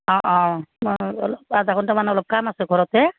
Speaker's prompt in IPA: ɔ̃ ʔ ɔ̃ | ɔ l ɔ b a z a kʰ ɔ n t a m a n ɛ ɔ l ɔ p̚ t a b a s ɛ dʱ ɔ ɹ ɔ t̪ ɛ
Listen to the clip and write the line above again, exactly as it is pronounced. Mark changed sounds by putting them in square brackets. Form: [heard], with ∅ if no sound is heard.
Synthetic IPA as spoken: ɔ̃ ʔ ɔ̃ | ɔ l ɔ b a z a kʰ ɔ n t a m a n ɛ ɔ l ɔ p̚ [k] a [m] a s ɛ [ɡʱ] ɔ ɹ ɔ t̪ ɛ